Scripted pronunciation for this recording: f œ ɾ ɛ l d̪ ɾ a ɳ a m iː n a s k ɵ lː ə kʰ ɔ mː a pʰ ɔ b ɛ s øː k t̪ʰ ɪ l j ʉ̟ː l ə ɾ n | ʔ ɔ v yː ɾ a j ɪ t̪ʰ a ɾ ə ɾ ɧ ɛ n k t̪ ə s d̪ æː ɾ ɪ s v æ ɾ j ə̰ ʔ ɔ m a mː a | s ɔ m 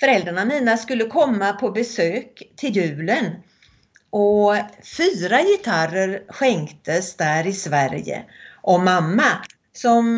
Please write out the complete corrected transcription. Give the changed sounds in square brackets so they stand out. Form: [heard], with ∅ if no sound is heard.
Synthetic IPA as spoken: f œ ɾ ɛ l d̪ ɾ a ɳ a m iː n a s k ɵ lː ə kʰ ɔ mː a pʰ ɔ b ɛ s øː k t̪ʰ ɪ l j ʉ̟ː l ə [∅] n | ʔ ɔ [f] yː ɾ a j ɪ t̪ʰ a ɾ ə ɾ ɧ ɛ [ŋ] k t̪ ə s d̪ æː ɾ ɪ s v æ ɾ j ə̰ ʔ ɔ m a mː a | s ɔ m